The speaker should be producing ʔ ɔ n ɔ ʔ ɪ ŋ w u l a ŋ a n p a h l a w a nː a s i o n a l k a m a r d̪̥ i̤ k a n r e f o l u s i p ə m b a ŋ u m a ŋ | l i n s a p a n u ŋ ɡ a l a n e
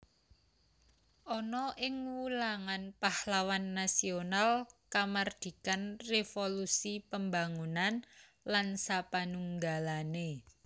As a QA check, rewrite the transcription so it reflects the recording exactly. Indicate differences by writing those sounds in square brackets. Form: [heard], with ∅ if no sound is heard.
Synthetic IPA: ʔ ɔ n ɔ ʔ ɪ ŋ w u l a ŋ a n p a h l a w a nː a s i o n a l k a m a r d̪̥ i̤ k a n r e f o l u s i p ə m b a ŋ u [n] a [n] | l [a] n s a p a n u ŋ ɡ a l a n e